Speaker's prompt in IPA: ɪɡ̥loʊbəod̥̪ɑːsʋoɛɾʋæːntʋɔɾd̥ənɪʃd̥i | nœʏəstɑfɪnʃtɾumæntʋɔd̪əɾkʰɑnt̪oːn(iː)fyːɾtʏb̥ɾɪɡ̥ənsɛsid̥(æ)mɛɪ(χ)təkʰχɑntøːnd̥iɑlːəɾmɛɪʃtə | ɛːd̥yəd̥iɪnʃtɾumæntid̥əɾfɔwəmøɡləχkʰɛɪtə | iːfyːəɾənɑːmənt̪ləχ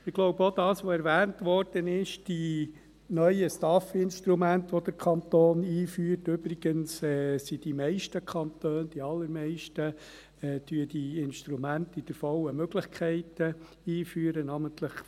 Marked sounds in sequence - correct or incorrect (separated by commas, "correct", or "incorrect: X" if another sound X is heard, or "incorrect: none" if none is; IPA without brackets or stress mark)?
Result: correct, incorrect: i, incorrect: ʃ